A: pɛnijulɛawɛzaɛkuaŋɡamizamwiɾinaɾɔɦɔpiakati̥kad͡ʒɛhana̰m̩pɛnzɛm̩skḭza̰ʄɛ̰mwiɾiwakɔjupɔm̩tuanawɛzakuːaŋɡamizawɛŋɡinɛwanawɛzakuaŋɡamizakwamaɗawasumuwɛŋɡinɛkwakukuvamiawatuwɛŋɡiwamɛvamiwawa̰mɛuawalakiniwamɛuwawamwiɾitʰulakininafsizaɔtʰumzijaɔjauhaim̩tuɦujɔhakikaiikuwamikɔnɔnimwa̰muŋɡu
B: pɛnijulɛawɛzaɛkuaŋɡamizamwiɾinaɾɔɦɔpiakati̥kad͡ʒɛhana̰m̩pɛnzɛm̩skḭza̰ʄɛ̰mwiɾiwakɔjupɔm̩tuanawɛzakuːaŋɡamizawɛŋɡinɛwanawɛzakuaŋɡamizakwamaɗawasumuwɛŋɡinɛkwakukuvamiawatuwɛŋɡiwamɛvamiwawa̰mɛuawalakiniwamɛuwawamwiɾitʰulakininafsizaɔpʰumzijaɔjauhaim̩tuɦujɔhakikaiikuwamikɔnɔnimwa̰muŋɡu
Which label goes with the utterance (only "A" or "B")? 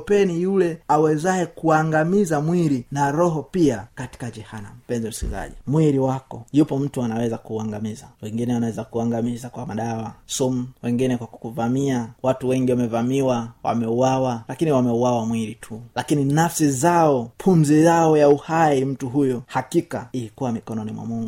B